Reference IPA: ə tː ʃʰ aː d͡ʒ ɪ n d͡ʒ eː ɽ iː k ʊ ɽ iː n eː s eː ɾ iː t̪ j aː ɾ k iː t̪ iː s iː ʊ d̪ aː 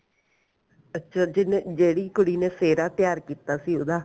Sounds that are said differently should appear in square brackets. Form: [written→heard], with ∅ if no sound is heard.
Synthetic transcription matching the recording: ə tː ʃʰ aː d͡ʒ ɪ n d͡ʒ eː ɽ iː k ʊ ɽ iː n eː s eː ɾ [iː→aː] t̪ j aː ɾ k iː t̪ [iː→aː] s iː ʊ d̪ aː